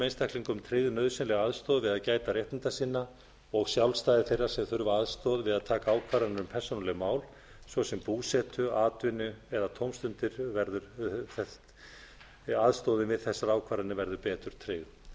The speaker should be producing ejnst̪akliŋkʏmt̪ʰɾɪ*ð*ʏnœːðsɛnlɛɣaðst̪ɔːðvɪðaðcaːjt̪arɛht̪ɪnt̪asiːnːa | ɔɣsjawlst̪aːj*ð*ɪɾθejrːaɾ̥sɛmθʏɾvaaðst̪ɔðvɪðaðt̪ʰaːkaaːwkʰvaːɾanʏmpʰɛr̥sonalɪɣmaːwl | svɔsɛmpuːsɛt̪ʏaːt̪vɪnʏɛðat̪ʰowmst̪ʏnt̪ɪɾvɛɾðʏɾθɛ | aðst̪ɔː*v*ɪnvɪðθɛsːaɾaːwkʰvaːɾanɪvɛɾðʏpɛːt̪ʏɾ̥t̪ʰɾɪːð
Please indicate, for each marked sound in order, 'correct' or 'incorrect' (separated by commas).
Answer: correct, correct, incorrect